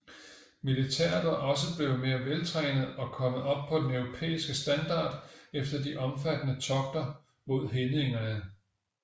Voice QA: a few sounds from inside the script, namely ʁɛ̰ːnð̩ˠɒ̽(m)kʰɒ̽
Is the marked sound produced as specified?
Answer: no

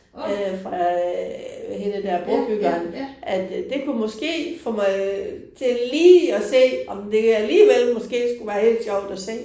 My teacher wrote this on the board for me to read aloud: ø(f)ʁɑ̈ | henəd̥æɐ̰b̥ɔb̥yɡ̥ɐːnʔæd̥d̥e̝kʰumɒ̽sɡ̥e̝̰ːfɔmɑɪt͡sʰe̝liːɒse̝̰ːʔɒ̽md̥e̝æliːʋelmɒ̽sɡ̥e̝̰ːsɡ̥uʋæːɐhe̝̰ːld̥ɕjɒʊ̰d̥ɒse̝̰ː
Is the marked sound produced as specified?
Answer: yes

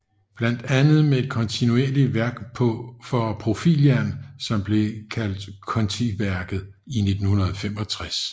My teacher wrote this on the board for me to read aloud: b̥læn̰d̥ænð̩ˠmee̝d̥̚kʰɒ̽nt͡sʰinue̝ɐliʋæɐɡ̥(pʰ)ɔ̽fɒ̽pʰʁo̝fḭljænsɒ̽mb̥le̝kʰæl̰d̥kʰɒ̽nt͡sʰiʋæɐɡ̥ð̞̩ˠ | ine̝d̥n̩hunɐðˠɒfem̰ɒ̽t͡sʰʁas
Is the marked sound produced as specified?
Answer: yes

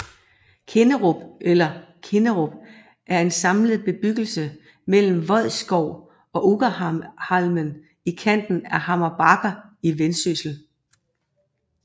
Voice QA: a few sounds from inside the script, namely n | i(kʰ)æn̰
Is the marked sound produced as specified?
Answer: yes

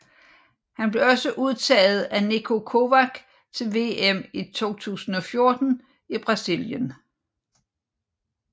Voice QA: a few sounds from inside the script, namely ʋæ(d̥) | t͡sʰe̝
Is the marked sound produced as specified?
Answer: no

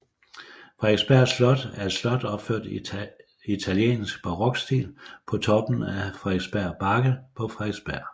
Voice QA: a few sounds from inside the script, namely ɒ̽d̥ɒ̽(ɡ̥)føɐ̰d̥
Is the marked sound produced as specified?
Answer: no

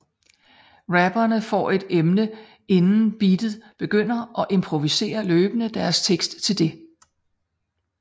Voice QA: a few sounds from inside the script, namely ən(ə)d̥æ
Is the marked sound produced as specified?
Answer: yes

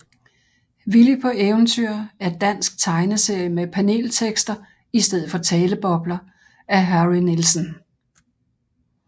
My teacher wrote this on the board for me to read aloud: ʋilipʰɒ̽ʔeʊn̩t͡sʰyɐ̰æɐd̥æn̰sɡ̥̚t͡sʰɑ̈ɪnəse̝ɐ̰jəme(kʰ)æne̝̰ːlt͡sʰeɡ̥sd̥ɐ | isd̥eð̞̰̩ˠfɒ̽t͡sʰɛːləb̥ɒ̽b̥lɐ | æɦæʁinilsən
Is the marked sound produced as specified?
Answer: no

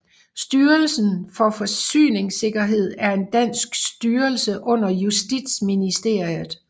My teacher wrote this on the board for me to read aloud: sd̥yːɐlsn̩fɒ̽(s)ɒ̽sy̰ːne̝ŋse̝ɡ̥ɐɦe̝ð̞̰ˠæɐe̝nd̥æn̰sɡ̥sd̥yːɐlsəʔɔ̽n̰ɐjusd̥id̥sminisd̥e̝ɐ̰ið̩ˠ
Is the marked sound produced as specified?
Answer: no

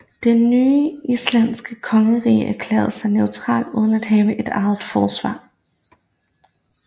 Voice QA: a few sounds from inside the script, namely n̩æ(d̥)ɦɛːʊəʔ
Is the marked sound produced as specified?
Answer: yes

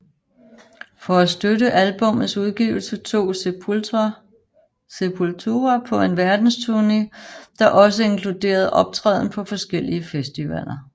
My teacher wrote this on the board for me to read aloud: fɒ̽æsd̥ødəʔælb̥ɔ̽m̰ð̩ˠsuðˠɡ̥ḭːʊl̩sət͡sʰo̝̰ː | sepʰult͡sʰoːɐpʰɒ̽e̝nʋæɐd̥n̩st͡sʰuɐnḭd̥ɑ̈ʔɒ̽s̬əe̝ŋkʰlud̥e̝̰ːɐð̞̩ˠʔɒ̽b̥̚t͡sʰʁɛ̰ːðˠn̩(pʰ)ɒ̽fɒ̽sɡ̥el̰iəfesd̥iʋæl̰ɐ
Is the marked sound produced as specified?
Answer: yes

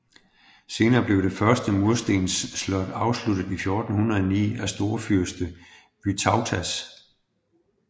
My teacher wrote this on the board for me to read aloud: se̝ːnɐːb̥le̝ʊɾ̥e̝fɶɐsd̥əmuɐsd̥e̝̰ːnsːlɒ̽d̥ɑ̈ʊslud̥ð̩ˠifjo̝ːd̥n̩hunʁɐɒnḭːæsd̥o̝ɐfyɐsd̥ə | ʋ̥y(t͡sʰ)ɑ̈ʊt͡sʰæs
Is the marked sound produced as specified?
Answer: yes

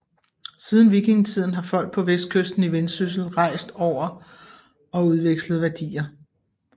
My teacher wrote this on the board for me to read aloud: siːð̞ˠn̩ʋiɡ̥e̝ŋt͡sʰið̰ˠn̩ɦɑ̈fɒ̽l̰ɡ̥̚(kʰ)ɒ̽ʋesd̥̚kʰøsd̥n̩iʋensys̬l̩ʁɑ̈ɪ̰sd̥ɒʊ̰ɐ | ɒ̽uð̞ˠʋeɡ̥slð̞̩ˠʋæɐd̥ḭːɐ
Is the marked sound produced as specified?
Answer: no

